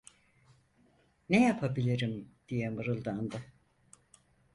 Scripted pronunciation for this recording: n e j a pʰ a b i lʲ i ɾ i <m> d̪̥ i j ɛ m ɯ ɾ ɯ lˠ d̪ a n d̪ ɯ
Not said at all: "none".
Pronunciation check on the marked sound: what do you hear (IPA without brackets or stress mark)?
m